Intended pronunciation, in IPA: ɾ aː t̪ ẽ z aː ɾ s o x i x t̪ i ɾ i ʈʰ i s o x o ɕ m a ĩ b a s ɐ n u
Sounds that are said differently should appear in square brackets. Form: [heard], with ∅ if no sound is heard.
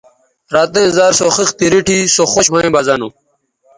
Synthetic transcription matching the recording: ɾ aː t̪ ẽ z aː ɾ s o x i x t̪ i ɾ i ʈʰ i s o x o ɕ m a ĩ b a [z] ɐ n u